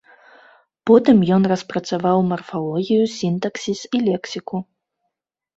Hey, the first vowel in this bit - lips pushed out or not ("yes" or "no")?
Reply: yes